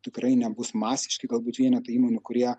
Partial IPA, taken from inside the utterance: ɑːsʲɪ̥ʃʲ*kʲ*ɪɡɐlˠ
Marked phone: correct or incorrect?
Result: correct